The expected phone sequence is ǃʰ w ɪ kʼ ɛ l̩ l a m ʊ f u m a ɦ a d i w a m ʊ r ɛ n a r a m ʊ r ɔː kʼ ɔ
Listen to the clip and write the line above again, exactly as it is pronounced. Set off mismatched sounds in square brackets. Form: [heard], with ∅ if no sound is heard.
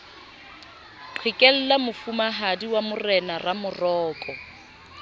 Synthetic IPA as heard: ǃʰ w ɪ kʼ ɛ l̩ l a m ʊ f u m a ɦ a d i w a m ʊ r ɛ n a r a m ʊ r ɔː kʼ ɔ